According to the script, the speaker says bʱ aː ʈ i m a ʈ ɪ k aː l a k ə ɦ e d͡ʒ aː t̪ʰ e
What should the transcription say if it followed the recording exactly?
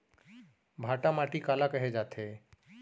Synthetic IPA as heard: bʱ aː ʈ a m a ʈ i k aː l a k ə ɦ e d͡ʒ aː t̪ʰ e